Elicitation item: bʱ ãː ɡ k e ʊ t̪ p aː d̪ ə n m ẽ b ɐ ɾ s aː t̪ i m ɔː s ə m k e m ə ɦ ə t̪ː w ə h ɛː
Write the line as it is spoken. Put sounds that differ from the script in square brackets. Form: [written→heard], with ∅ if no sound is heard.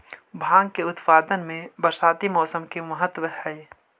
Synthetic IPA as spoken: bʱ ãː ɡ k e ʊ t̪ p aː d̪ ə n m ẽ b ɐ ɾ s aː t̪ i m ɔː s ə m k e m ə ɦ ə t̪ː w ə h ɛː